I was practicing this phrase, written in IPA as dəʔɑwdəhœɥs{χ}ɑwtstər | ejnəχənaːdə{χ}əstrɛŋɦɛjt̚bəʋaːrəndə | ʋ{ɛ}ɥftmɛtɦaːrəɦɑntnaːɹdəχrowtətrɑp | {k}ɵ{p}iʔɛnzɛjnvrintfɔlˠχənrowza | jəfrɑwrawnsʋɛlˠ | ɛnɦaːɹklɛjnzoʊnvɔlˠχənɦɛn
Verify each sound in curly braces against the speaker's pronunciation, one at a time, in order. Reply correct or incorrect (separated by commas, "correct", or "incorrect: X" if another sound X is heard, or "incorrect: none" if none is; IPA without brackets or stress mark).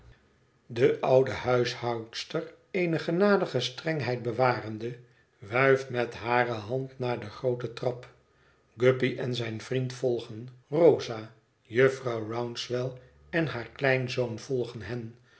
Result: incorrect: h, correct, incorrect: œ, incorrect: ɡ, correct